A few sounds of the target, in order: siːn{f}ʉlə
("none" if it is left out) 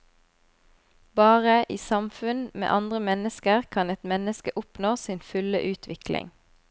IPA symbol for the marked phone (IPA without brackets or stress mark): f